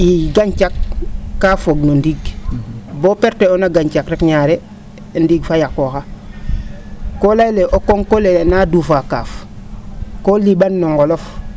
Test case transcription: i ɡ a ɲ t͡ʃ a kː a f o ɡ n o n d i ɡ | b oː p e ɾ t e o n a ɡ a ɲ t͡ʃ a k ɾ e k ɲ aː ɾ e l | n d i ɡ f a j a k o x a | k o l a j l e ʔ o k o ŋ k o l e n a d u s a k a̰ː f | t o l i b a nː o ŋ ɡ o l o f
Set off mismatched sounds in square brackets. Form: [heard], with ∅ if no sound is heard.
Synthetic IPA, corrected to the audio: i ɡ a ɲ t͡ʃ a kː a f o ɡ n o n d i ɡ | b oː p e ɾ t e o n a ɡ a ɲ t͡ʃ a k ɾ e k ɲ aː ɾ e [∅] | n d i ɡ f a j a k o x a | k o l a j l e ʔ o k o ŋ k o l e n a d u [f] a k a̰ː f | [k] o l i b a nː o ŋ ɡ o l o f